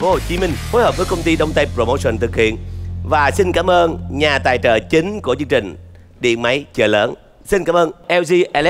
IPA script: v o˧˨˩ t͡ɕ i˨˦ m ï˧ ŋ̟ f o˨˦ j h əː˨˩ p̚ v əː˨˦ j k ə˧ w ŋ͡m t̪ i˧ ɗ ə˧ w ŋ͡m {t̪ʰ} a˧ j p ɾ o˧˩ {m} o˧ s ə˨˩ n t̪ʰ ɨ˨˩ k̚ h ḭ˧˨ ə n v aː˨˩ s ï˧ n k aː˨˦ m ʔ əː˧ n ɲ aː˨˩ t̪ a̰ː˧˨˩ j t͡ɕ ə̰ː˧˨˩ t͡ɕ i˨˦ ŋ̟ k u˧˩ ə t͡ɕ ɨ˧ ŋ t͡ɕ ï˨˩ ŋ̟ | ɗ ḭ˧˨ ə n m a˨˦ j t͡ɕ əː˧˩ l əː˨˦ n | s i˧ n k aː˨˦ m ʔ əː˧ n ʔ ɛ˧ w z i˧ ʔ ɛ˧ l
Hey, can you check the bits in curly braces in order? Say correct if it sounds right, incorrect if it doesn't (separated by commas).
incorrect, correct